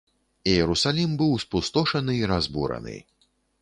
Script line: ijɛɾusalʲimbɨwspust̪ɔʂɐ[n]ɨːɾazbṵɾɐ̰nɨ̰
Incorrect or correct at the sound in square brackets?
correct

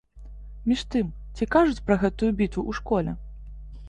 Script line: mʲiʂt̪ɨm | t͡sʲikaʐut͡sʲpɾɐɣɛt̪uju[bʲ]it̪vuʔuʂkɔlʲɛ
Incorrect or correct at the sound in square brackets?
correct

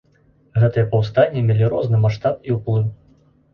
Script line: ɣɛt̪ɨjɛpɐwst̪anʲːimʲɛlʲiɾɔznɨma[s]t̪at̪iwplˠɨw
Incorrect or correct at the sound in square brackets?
incorrect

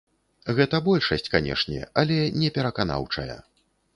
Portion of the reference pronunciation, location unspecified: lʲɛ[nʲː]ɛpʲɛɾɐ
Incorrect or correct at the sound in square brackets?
incorrect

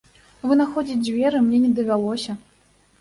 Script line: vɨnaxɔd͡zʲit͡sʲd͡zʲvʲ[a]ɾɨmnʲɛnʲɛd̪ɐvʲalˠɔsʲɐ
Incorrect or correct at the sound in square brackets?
incorrect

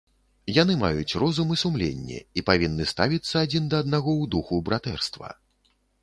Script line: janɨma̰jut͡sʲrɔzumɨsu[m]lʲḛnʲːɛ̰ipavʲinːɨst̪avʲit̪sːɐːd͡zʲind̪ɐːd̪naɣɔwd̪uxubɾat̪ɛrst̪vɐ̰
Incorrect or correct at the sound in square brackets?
correct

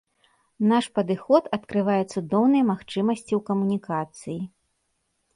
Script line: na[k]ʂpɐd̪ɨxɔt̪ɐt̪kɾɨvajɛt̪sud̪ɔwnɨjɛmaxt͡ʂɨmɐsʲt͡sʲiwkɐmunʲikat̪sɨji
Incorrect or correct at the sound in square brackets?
incorrect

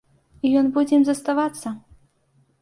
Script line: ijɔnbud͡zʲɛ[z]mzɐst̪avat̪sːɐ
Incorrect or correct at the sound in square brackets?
incorrect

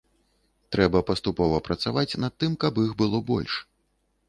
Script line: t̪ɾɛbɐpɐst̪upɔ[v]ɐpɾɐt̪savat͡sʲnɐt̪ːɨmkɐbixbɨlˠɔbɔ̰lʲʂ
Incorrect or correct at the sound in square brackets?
correct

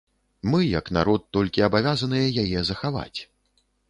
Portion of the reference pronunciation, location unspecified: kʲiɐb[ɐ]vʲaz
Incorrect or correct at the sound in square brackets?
incorrect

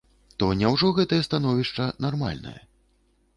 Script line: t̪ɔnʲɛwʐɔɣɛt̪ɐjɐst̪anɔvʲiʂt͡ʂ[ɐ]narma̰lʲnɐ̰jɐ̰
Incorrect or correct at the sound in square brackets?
correct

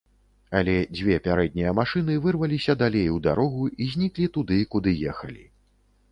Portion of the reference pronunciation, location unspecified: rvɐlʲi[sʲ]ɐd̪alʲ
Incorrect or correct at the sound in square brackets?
correct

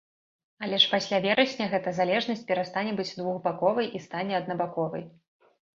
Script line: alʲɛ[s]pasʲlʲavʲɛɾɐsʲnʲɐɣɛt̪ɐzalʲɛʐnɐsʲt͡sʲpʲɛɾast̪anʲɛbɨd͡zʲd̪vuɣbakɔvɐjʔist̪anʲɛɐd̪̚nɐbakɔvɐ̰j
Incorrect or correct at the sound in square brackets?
incorrect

